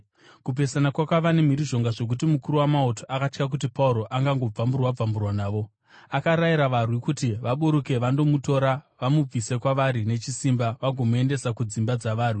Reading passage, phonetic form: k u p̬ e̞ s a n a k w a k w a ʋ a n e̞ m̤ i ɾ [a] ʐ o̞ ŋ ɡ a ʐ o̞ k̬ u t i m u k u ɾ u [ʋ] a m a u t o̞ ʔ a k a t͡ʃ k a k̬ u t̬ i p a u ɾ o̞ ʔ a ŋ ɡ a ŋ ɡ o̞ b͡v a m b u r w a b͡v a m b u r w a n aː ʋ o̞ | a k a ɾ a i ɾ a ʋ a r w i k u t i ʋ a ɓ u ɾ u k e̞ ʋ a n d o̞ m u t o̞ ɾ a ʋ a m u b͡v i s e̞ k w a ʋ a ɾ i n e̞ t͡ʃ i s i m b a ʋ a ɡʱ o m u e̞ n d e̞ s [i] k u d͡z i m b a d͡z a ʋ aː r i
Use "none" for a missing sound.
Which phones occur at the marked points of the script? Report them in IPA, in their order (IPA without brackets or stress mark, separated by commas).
i, w, a